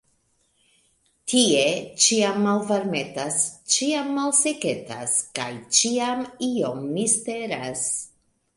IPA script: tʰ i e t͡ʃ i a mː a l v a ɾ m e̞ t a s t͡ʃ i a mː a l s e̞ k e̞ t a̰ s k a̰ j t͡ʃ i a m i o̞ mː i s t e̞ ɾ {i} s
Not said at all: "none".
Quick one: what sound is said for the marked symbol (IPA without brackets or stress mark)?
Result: a